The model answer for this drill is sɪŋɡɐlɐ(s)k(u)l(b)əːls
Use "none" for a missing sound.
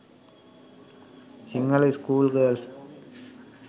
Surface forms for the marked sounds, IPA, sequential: s, uː, ɡ

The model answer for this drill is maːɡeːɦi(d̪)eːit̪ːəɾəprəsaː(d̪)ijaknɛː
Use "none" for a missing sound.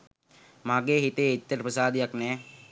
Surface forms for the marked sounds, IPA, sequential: t̪, d̪

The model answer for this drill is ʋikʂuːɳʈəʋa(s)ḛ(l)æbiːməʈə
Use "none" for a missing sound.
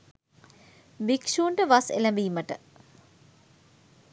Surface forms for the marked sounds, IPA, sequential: s, l

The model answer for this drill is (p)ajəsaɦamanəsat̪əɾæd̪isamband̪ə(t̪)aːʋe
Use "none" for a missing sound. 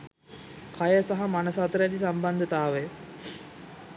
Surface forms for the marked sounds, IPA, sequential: k, t̪

